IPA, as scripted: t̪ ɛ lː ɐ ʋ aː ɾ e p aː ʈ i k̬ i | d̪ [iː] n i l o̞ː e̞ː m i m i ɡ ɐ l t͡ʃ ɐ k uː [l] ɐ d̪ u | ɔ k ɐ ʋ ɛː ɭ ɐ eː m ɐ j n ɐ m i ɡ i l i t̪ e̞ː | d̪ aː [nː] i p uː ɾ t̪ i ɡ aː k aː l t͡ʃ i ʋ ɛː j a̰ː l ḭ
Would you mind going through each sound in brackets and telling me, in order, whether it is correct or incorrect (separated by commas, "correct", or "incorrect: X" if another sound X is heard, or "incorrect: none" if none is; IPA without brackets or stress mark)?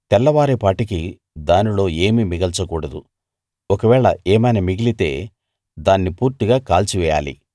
incorrect: aː, incorrect: ɽ, correct